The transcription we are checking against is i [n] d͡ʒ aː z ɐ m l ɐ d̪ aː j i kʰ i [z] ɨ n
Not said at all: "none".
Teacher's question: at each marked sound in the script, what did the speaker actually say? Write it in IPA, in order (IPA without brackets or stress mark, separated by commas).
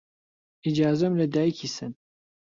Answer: none, s